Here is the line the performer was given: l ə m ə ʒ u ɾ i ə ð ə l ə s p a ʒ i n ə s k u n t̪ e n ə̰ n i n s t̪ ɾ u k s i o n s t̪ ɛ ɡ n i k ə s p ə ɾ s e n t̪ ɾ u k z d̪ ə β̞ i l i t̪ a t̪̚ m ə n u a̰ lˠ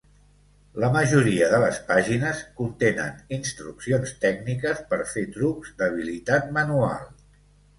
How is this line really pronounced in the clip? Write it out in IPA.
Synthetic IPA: l ə m ə ʒ u ɾ i ə ð ə l ə s p a ʒ i n ə s k u n t̪ e n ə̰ n i n s t̪ ɾ u k s i o n s t̪ ɛ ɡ n i k ə s p ə ɾ f e t̪ ɾ u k z d̪ ə β̞ i l i t̪ a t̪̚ m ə n u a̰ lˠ